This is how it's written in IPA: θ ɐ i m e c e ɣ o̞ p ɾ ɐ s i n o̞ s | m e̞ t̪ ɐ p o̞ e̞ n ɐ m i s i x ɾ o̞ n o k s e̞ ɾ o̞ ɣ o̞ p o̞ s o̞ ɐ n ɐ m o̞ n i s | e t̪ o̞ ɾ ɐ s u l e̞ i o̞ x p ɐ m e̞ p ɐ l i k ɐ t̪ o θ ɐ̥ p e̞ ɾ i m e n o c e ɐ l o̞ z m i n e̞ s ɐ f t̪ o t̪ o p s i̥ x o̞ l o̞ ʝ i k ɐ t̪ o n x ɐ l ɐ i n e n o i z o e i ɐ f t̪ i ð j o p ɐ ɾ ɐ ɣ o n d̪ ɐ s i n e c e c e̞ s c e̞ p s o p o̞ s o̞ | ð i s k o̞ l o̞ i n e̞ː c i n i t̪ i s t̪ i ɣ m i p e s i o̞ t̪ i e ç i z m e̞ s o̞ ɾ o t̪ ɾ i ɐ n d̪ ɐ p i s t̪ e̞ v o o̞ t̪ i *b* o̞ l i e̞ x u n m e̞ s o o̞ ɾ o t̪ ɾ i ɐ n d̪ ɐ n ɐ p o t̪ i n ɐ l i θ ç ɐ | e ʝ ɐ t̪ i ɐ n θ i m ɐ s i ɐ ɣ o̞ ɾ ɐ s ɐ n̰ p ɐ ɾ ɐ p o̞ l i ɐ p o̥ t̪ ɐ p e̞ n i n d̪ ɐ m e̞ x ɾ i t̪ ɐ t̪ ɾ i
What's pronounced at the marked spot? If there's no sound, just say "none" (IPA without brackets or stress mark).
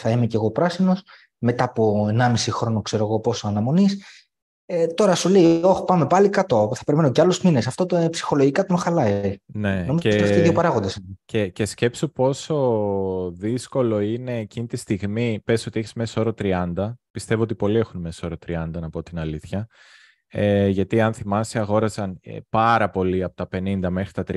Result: p